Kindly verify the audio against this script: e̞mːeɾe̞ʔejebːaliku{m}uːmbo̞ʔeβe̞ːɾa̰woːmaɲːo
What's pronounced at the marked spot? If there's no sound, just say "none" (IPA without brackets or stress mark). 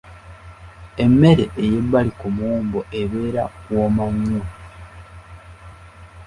m